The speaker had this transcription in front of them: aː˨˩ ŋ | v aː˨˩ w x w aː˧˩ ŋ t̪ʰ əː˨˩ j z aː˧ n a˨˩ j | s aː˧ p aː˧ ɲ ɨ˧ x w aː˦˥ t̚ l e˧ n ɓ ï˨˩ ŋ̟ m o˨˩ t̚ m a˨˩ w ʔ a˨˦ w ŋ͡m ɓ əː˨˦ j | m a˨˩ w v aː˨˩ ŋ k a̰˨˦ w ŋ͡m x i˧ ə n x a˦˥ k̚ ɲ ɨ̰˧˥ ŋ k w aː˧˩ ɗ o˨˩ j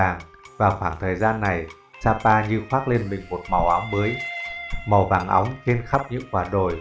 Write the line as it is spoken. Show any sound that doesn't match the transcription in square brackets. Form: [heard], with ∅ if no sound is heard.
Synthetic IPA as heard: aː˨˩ ŋ | v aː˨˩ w x w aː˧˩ ŋ t̪ʰ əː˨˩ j z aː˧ [nː] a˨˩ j | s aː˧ p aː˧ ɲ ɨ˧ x w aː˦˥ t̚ l e˧ n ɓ ï˨˩ ŋ̟ m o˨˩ t̚ m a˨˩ w ʔ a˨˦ w ŋ͡m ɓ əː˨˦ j | m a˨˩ w v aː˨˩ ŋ [ʔ] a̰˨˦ w ŋ͡m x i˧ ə n x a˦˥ [p̚] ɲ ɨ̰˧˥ ŋ k w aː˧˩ ɗ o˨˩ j

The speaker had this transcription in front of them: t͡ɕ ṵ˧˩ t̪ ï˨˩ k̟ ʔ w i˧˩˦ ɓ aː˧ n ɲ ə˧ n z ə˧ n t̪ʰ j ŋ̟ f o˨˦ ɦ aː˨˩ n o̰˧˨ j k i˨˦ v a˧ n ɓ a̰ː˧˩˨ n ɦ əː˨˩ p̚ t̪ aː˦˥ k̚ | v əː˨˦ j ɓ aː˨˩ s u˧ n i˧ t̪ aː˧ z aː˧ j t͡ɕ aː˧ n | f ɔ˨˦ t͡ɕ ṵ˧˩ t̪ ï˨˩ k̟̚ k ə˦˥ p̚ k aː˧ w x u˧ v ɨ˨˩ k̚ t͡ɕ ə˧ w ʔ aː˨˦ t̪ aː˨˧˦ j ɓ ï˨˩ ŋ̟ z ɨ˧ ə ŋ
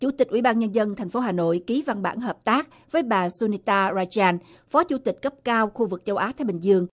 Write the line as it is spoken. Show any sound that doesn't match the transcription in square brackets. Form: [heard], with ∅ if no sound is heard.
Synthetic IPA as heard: t͡ɕ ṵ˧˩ t̪ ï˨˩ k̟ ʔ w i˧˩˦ ɓ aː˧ n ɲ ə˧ n z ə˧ n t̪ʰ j ŋ̟ f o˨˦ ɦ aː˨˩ n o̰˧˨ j k i˨˦ v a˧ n ɓ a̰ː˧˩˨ n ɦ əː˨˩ p̚ t̪ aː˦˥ k̚ | v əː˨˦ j ɓ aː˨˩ s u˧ n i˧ t̪ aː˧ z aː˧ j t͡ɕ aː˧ n | f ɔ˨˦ t͡ɕ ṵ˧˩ t̪ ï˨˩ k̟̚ k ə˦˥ p̚ k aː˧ w x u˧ v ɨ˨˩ k̚ t͡ɕ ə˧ w ʔ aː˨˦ t̪ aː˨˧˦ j ɓ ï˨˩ ŋ̟ z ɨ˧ ə ŋ

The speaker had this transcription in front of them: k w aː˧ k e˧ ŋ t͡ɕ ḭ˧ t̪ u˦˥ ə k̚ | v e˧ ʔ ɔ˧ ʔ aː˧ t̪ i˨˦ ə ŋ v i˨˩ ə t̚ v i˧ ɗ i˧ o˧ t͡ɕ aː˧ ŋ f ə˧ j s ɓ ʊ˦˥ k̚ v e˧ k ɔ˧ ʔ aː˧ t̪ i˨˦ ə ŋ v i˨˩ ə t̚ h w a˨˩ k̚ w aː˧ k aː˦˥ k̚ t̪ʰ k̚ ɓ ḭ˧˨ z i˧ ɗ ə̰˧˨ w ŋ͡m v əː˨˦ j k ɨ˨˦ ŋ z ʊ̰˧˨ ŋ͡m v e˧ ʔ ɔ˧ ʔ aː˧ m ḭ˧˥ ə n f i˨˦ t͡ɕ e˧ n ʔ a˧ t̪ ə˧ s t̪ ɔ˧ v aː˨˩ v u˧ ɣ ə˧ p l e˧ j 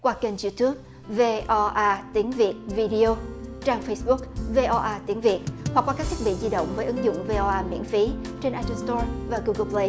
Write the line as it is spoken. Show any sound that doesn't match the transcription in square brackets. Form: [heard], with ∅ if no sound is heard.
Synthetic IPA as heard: k w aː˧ k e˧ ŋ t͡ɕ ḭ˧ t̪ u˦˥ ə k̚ | v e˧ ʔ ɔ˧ ʔ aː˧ t̪ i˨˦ ə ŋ v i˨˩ ə t̚ v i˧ ɗ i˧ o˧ t͡ɕ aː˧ ŋ f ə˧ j s ɓ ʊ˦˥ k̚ v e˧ [ʔ] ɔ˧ ʔ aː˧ t̪ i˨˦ ə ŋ v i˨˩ ə t̚ h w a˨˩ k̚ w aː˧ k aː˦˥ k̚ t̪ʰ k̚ ɓ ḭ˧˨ z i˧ ɗ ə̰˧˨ w ŋ͡m v əː˨˦ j [ʔ] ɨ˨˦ ŋ z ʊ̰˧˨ ŋ͡m v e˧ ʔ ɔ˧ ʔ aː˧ m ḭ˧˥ ə n f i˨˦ t͡ɕ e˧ n ʔ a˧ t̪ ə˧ s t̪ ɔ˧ v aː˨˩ [ɣ] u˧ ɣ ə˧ p l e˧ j

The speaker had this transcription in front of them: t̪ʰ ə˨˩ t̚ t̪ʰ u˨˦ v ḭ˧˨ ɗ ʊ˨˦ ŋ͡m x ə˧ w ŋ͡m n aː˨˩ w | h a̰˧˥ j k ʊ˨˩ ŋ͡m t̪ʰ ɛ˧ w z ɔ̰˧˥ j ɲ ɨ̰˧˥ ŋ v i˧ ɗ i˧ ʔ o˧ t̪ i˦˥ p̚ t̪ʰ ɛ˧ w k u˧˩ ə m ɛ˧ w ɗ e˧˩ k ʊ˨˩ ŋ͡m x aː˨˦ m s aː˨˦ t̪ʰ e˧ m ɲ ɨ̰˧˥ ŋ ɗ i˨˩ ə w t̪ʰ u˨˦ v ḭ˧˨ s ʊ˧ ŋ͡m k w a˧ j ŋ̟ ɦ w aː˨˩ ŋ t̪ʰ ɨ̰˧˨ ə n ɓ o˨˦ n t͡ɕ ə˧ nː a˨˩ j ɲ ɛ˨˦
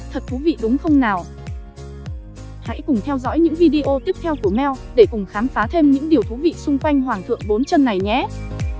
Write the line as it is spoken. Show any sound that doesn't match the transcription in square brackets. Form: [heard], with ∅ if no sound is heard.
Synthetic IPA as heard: t̪ʰ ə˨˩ t̚ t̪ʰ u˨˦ v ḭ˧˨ ɗ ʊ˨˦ ŋ͡m x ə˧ w ŋ͡m n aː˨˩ w | h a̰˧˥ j k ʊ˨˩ ŋ͡m t̪ʰ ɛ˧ w z ɔ̰˧˥ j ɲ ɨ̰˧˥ ŋ v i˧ ɗ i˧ ʔ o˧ t̪ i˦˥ p̚ t̪ʰ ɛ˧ w k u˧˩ ə m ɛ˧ w ɗ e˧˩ k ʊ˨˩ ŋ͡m x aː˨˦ m [f] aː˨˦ t̪ʰ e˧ m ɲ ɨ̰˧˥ ŋ ɗ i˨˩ ə w t̪ʰ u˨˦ v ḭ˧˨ s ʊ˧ ŋ͡m k w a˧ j ŋ̟ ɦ w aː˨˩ ŋ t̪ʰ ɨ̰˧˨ ə [ŋ] ɓ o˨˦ n t͡ɕ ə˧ nː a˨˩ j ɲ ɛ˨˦

